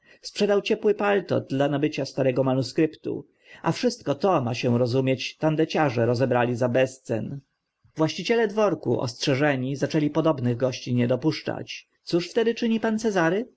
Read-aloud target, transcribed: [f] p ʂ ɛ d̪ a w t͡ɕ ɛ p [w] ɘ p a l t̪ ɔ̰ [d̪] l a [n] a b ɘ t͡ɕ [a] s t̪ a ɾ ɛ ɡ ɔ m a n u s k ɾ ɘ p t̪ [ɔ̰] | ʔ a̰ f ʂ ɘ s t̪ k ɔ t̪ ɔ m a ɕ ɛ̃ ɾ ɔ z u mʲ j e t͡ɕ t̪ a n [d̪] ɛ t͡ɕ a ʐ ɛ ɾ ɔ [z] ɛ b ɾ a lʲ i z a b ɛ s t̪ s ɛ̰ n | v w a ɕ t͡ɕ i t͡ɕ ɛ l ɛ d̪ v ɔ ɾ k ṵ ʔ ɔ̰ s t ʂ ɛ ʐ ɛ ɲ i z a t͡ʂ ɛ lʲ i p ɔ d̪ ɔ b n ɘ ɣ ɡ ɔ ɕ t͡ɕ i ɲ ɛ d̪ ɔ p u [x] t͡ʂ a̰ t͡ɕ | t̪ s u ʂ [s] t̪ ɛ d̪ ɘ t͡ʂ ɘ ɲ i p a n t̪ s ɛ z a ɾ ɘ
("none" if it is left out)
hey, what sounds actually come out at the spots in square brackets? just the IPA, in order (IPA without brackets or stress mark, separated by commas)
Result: s, w, d̪, n, a, ṵ, d̪, z, ʂ, f